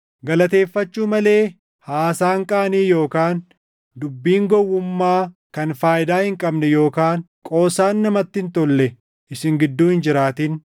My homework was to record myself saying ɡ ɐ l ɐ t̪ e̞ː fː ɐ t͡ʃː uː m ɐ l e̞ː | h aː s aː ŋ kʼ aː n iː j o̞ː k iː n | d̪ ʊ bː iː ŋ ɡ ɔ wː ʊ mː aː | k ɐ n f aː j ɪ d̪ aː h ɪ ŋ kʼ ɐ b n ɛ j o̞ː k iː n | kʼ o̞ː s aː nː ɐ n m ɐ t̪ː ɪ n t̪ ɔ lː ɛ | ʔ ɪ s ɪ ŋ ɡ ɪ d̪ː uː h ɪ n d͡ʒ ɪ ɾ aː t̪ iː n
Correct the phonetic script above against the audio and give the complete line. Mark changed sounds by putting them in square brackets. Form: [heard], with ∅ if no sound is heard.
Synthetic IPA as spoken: ɡ ɐ l ɐ t̪ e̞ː fː ɐ t͡ʃː uː m ɐ l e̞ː | h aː s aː ŋ kʼ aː n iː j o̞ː k [aː] n | d̪ ʊ bː iː ŋ ɡ ɔ wː ʊ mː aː | k ɐ n f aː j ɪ d̪ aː h ɪ ŋ kʼ ɐ b n ɛ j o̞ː k [aː] n | kʼ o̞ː s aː nː ɐ [∅] m ɐ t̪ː ɪ n t̪ ɔ lː ɛ | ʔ ɪ s ɪ ŋ ɡ ɪ d̪ː uː h ɪ n d͡ʒ ɪ ɾ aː t̪ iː n